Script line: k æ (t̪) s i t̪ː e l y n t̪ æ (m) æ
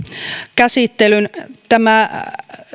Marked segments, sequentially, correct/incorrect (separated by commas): incorrect, correct